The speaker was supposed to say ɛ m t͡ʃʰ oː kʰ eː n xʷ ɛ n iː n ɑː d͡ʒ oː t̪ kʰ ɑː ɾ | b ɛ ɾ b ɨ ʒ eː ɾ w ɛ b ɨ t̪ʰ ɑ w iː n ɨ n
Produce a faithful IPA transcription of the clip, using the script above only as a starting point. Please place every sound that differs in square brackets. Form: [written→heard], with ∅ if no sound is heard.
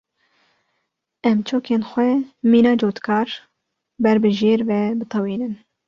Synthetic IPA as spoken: ɛ m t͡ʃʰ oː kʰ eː n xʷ ɛ [n→m] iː n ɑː d͡ʒ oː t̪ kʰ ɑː ɾ | b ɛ ɾ b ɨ ʒ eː ɾ [w→v] ɛ b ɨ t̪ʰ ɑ w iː n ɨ n